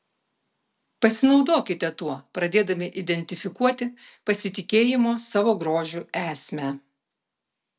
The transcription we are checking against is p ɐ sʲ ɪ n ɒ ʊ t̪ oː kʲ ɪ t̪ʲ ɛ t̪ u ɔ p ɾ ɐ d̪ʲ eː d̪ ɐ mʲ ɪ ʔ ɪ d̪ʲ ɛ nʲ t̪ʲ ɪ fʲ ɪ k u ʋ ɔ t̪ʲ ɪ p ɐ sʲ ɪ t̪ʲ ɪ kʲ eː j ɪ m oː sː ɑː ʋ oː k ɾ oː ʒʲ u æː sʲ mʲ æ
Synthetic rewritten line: p ɐ sʲ ɪ n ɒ ʊ d̪ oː kʲ ɪ t̪ʲ ɛ t̪ u ɔ p ɾ ɐ d̪ʲ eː d̪ ɐ mʲ ɪ ʔ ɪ d̪ʲ ɛ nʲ t̪ʲ ɪ fʲ ɪ k u ɔ t̪ʲ ɪ p ɐ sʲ ɪ t̪ʲ ɪ kʲ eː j ɪ m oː s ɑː ʋ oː ɡ ɾ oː ʒʲ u æː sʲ mʲ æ